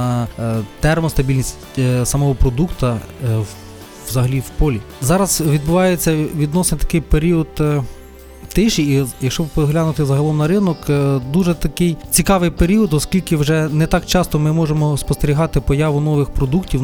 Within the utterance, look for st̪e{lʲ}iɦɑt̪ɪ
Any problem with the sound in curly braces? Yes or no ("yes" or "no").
yes